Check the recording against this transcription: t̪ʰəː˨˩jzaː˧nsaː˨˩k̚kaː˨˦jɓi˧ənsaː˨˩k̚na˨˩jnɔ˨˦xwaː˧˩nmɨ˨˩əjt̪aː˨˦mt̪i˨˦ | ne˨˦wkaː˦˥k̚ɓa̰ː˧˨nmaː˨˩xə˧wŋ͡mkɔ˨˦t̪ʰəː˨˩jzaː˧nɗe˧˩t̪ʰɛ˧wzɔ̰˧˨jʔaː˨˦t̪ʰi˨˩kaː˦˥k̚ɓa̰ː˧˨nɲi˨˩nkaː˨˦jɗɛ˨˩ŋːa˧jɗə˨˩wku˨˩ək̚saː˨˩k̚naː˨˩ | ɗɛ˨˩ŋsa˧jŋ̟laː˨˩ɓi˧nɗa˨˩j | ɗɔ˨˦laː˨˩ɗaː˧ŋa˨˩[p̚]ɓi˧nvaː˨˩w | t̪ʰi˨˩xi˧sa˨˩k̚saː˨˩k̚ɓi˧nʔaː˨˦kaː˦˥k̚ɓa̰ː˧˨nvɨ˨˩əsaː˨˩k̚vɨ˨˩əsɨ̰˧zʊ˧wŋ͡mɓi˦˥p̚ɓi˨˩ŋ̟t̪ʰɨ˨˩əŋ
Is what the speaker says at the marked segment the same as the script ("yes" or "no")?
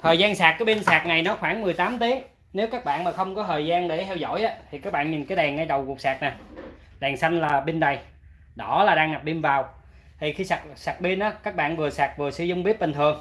yes